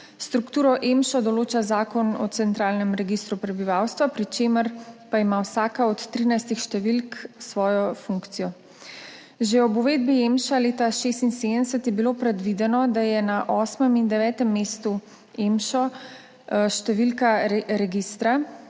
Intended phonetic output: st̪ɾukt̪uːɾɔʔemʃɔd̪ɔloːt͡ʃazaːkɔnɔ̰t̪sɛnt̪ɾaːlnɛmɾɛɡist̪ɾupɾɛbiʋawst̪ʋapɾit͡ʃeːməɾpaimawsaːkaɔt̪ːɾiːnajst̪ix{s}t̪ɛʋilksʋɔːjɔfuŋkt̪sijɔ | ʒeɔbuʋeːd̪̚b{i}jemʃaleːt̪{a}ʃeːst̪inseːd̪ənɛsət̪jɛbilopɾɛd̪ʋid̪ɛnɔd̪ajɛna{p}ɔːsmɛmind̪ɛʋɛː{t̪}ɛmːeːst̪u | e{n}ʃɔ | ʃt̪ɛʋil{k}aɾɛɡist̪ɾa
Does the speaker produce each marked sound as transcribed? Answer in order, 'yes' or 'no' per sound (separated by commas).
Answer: no, yes, yes, no, yes, no, yes